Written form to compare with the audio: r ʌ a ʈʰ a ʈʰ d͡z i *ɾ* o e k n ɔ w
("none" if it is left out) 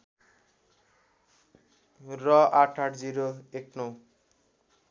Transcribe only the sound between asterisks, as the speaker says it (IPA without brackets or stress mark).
ɾ